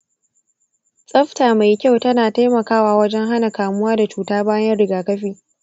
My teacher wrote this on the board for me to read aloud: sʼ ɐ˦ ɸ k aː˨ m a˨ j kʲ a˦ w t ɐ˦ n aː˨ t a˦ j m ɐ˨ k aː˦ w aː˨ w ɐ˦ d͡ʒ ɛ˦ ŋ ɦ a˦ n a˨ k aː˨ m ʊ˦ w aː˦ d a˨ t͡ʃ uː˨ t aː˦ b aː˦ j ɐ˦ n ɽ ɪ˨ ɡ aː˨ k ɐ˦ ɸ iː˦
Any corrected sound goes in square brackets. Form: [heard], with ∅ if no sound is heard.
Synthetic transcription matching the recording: sʼ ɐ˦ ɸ [t] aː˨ m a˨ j kʲ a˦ w t ɐ˦ n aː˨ t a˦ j m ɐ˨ k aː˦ w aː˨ w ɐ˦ d͡ʒ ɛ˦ ŋ ɦ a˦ n a˨ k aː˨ m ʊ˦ w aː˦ d a˨ t͡ʃ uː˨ t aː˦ b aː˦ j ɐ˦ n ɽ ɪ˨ ɡ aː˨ k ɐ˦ ɸ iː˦

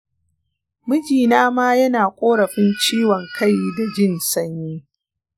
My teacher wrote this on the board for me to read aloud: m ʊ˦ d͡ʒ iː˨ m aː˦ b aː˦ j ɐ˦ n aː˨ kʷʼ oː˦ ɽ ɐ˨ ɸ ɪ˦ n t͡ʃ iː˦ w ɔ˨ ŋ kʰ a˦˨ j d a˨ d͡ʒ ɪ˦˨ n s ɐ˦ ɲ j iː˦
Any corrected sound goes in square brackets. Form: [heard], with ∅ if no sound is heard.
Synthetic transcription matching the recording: m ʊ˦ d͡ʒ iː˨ [n] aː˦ [m] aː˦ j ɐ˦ n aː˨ kʷʼ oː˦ ɽ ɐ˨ ɸ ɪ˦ n t͡ʃ iː˦ w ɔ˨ ŋ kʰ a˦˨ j d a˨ d͡ʒ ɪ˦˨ n s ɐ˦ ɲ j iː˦

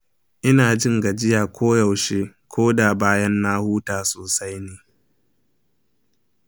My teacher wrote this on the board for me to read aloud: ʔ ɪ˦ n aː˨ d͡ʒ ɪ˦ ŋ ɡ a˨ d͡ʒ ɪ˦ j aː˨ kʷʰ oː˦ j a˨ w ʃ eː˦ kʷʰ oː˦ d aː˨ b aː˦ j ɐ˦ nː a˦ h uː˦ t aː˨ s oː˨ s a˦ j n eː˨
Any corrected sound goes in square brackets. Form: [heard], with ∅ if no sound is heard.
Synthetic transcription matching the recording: ʔ ɪ˦ n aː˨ d͡ʒ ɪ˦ ŋ ɡ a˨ d͡ʒ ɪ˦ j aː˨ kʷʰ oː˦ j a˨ w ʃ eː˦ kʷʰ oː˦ d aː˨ b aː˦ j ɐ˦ nː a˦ h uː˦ t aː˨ s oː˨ s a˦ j n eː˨

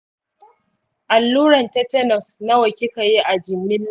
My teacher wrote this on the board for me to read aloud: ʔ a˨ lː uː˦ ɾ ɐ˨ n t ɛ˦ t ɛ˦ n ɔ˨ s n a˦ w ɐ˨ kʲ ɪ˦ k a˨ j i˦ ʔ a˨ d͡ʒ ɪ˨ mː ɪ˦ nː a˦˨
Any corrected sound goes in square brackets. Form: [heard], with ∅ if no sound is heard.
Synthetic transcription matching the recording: ʔ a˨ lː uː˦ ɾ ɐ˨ n t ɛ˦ t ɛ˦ n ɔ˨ s n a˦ w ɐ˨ kʲ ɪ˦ k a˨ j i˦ ʔ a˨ d͡ʒ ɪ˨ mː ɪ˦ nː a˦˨

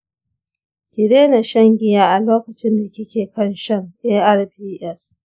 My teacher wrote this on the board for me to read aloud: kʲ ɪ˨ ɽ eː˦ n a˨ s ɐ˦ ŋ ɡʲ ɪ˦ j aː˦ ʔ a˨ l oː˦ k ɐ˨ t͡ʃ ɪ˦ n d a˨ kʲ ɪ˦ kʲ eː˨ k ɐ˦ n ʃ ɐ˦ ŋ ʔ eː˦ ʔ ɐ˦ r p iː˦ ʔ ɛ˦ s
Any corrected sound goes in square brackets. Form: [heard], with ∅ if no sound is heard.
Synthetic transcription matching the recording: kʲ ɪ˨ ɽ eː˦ n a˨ [ʃ] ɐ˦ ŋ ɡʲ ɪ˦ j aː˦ ʔ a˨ l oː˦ k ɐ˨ t͡ʃ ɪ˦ n d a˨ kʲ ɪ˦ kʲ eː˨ k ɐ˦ n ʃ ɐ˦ ŋ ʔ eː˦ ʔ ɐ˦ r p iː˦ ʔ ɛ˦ s

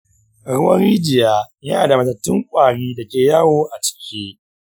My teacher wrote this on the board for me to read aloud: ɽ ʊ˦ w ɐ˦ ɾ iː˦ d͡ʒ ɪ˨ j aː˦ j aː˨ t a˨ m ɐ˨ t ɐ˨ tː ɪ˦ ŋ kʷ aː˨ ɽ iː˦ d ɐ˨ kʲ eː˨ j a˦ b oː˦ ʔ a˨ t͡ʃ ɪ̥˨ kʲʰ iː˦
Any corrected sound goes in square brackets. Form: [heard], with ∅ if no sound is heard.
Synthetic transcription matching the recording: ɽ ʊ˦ w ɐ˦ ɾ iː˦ d͡ʒ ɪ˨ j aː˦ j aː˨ [d] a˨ m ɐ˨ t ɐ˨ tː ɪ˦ ŋ [kʷʼ] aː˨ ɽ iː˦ d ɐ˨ kʲ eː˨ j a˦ [w] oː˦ ʔ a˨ t͡ʃ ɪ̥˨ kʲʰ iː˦

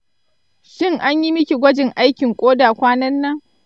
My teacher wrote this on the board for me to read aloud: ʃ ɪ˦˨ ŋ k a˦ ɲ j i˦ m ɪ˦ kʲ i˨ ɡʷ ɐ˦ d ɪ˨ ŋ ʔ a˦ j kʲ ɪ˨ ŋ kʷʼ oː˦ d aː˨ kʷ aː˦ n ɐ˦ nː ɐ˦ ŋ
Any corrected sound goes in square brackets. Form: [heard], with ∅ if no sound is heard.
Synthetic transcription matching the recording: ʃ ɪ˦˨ ŋ [ʔ] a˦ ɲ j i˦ m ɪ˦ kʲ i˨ ɡʷ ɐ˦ [d͡ʒ] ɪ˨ ŋ ʔ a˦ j kʲ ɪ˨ ŋ kʷʼ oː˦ d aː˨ kʷ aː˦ n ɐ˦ nː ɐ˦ ŋ

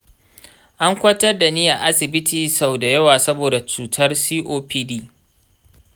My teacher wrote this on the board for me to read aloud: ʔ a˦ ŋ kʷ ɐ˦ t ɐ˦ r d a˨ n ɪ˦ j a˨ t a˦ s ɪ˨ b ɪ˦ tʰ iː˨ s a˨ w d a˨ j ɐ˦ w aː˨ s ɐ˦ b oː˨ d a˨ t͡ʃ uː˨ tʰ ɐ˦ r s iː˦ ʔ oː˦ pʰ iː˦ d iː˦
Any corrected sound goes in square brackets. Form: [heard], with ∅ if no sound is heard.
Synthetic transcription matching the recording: ʔ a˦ ŋ kʷ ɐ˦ t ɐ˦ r d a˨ n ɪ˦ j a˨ [ʔ] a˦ s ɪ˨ b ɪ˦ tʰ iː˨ s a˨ w d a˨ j ɐ˦ w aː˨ s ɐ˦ b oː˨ d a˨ t͡ʃ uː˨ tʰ ɐ˦ r s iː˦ ʔ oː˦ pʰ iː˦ d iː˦

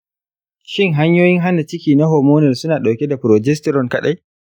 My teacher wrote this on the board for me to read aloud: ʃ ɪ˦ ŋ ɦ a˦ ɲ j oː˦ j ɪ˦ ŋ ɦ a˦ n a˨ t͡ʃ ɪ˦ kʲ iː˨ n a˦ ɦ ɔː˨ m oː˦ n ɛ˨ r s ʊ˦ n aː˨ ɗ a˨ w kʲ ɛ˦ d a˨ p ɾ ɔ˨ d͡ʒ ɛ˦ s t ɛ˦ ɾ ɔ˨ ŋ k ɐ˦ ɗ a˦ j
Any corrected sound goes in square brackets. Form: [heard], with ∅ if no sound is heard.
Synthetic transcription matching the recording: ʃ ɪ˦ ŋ ɦ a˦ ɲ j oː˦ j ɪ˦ ŋ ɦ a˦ n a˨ t͡ʃ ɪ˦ kʲ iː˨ n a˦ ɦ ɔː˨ m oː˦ n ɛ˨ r s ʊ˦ n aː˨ ɗ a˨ w kʲ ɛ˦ d a˨ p ɾ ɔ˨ d͡ʒ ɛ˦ s t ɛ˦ ɾ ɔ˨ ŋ k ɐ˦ ɗ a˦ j

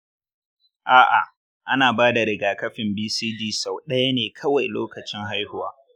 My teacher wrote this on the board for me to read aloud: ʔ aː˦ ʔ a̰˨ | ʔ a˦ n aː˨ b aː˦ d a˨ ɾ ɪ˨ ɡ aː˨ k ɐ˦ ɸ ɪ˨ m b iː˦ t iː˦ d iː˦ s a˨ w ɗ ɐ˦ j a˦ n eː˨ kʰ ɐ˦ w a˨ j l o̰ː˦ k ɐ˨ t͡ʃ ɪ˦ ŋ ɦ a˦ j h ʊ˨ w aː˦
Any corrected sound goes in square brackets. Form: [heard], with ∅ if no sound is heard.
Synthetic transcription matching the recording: ʔ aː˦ ʔ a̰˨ | ʔ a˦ n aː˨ b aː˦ d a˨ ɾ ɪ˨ ɡ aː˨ k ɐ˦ ɸ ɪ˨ m b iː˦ [s] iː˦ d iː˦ s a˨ w ɗ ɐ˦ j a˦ n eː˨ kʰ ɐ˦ w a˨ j l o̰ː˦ k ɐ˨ t͡ʃ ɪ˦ ŋ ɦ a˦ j h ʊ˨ w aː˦

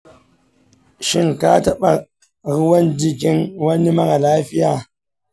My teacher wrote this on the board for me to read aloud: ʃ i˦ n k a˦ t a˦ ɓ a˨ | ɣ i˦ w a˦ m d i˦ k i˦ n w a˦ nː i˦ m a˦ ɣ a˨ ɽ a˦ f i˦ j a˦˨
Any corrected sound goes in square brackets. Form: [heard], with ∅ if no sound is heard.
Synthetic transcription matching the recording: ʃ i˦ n k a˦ t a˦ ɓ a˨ | ɣ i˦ w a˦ [n] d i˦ k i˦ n w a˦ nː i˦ m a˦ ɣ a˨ [l] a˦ f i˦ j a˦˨

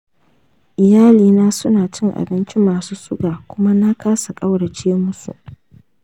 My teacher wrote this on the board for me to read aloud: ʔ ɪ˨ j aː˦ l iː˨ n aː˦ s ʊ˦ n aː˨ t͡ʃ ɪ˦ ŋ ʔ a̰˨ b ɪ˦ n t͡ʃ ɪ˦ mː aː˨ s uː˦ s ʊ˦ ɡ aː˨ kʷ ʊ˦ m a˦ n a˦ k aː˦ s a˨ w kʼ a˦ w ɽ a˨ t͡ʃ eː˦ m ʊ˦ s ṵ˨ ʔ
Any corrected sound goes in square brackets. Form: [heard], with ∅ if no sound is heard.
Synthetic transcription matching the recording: ʔ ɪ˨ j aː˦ l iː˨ n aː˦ s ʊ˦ n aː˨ t͡ʃ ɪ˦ ŋ ʔ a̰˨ b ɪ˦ n t͡ʃ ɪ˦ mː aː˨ s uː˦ s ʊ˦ ɡ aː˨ kʷ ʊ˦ m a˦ n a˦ k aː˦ s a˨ [∅] kʼ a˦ w ɽ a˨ t͡ʃ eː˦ m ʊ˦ s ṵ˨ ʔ

